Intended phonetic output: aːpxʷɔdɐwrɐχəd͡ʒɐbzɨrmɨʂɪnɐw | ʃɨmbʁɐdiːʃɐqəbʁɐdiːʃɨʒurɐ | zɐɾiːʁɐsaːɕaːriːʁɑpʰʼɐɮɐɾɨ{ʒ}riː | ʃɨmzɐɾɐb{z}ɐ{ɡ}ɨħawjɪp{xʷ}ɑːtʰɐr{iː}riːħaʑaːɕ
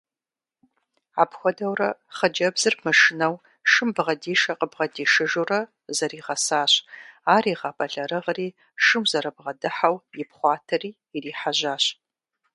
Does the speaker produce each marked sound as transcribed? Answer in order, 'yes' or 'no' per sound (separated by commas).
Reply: no, no, no, no, yes